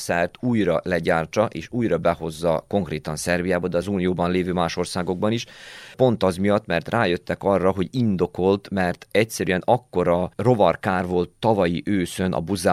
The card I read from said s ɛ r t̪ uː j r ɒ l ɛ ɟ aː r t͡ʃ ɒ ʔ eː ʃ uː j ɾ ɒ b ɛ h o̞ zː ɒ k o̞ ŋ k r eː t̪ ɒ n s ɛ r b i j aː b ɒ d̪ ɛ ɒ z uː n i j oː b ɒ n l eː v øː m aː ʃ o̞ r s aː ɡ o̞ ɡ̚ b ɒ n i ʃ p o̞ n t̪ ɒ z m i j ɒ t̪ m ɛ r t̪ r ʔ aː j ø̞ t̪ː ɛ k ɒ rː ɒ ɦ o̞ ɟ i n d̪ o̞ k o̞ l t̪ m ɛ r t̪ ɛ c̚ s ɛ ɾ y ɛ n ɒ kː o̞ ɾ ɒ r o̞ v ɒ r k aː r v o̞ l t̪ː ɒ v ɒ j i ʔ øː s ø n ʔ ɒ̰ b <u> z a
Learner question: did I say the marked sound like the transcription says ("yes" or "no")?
yes